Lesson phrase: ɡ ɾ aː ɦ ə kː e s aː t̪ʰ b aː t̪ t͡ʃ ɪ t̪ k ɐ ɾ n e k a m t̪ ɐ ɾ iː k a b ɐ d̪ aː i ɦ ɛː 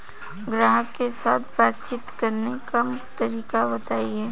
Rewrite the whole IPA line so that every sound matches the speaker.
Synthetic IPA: ɡ ɾ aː ɦ ə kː e s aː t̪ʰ b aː t̪ t͡ʃ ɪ t̪ k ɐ ɾ n e k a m t̪ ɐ ɾ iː k a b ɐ t̪ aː i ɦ ɛː